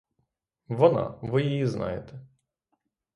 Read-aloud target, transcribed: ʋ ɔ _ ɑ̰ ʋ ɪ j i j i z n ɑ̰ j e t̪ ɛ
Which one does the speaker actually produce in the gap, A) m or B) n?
B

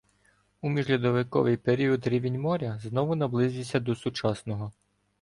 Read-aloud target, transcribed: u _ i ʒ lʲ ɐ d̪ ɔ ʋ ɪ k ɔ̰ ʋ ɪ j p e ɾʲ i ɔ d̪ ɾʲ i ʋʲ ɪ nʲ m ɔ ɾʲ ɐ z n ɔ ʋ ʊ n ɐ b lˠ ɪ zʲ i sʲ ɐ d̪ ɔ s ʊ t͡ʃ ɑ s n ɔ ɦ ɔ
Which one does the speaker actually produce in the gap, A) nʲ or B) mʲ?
B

